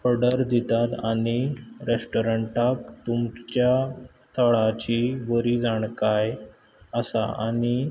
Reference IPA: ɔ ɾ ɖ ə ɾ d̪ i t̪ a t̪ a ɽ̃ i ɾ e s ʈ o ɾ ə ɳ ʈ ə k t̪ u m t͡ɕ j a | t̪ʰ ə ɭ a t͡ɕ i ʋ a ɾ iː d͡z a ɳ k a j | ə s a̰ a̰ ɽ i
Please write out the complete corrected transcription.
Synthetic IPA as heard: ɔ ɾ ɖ ə ɾ d̪ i t̪ a t̪ a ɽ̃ i ɾ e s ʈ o ɾ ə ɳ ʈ a k t̪ u m t͡ɕ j a | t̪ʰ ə ɭ a t͡ɕ i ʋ ə ɾ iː d͡z a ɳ k a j | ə s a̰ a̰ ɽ i

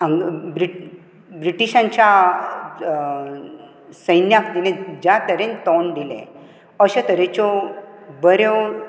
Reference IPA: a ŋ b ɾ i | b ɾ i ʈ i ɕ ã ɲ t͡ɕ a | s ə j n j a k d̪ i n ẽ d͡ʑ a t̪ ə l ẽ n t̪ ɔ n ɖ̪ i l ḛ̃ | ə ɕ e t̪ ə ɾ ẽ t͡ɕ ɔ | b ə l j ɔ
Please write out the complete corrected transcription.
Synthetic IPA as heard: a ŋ b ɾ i | b ɾ i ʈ i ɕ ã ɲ t͡ɕ a | s ə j n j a k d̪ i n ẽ d͡ʑ a t̪ ə ɾ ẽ n t̪ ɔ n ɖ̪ i l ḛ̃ | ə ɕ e t̪ ə ɾ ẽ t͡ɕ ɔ | b ə ɾ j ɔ

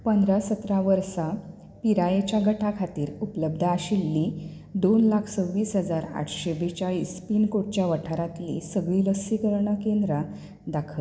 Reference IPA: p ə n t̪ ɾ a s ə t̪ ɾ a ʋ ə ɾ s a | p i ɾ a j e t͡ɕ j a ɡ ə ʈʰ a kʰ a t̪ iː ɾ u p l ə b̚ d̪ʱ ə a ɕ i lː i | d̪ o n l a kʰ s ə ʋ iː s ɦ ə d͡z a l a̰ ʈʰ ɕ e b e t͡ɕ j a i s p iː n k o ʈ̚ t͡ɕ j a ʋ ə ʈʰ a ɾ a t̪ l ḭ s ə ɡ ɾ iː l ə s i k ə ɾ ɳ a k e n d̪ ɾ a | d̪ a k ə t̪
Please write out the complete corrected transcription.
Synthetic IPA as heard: p ə n d̪ ɾ a s ə t̪ ɾ a ʋ ə ɾ s a | p i ɾ a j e t͡ɕ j a ɡ ə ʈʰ a kʰ a t̪ iː ɾ u p l ə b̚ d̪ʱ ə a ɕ i lː i | d̪ o n l a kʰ s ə ʋ iː s ɦ ə d͡z a ɾ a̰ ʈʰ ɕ e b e t͡ɕ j a i s p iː n k o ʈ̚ t͡ɕ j a ʋ ə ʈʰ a ɾ a t̪ l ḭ s ə ɡ ɭ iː l ə s i k ə ɾ ɳ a k e n d̪ ɾ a | d̪ a kʰ ə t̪

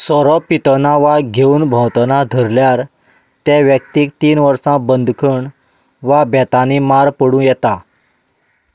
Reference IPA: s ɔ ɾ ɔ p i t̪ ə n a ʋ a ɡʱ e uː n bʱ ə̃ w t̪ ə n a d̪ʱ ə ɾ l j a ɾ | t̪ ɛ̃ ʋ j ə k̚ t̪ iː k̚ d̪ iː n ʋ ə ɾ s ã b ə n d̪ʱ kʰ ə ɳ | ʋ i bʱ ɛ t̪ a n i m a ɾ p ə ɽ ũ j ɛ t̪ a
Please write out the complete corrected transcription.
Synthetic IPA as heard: s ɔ ɾ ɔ p i t̪ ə n a ʋ a ɡʱ e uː n bʱ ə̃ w t̪ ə n a d̪ʱ ə ɾ l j a ɾ | t̪ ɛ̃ ʋ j ə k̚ t̪ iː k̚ t̪ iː n ʋ ə ɾ s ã b ə n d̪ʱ kʰ ə ɳ | ʋ a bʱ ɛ t̪ a n i m a ɾ p ə ɽ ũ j ɛ t̪ a

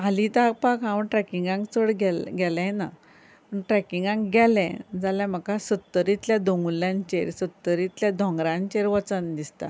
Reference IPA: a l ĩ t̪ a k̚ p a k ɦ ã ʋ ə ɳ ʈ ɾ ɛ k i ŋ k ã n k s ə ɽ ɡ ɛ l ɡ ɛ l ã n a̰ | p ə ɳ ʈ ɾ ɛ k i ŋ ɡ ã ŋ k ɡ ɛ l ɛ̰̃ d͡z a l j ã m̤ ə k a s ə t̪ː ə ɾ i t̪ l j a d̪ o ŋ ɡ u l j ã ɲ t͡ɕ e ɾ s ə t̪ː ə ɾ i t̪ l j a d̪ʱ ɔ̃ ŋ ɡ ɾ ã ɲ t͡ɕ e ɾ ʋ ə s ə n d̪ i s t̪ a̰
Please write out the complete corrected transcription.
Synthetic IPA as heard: a l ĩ t̪ a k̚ p a k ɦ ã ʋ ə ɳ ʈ ɾ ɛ k i ŋ ɡ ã ŋ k t͡s ə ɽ ɡ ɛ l ɡ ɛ l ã n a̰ | p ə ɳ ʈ ɾ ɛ k i ŋ ɡ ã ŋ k ɡ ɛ l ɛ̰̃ d͡z a l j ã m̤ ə k a s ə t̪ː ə ɾ i t̪ l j a d̪ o ŋ ɡ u l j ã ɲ t͡ɕ e ɾ s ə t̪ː ə ɾ i t̪ l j a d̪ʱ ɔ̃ ŋ ɡ ɾ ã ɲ t͡ɕ e ɾ ʋ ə t͡s ə n d̪ i s t̪ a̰

